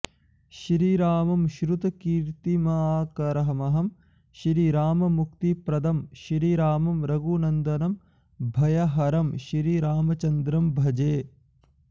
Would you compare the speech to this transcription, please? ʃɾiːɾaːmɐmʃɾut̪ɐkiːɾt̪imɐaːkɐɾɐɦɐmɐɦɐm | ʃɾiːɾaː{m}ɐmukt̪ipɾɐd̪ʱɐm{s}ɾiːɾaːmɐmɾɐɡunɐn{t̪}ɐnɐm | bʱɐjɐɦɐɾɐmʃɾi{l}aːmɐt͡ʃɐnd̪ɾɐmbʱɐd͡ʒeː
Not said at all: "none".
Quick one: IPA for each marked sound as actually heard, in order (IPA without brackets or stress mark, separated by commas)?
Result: m, ʃ, d̪, ɾ